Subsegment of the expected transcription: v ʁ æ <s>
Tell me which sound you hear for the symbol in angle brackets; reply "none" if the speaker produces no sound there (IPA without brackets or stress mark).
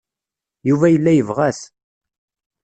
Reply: s